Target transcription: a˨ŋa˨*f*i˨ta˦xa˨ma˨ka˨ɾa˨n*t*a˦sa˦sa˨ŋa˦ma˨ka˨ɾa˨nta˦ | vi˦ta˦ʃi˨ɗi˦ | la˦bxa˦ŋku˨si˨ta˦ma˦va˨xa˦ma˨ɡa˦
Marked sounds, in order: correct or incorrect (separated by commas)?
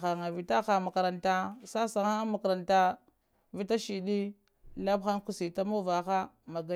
incorrect, correct